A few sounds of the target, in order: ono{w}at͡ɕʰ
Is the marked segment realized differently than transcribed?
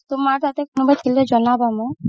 yes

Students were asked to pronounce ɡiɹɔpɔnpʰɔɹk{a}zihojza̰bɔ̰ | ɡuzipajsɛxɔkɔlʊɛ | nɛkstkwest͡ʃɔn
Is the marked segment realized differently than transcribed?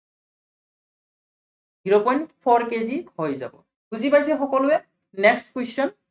yes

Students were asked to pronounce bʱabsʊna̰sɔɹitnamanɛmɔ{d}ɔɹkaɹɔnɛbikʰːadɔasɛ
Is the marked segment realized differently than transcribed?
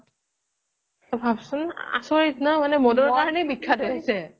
no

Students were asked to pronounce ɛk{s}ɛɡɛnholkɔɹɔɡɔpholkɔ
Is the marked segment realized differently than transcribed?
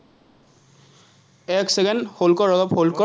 no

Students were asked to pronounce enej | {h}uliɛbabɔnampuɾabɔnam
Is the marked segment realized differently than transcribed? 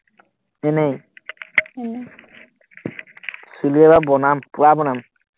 yes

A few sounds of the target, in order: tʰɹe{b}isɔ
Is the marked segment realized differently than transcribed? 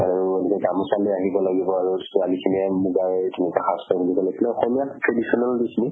yes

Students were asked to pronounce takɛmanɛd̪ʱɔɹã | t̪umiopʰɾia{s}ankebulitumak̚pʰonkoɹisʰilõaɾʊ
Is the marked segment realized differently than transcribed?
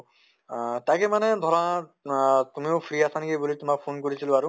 no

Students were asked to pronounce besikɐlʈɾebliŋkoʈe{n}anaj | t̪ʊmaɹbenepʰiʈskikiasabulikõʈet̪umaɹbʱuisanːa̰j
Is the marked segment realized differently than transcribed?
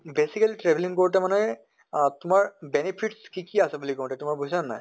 yes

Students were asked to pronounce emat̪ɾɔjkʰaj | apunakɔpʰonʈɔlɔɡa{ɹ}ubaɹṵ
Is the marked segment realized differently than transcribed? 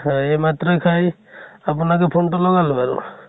yes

